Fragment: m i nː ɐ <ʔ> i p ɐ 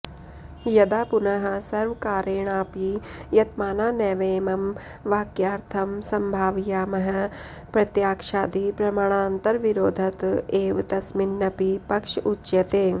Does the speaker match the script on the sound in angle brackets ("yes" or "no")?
no